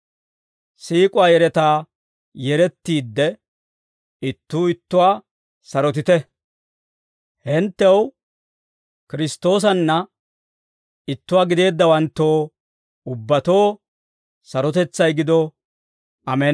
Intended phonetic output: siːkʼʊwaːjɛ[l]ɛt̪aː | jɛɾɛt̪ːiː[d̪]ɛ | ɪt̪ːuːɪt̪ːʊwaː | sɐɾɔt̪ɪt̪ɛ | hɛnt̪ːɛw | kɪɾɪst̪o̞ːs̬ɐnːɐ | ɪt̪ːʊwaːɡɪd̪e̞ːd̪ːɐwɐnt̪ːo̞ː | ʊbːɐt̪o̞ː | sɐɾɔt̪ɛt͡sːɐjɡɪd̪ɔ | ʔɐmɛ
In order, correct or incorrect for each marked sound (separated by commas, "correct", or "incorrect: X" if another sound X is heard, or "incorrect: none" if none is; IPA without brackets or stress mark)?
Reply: incorrect: ɾ, incorrect: d̪ː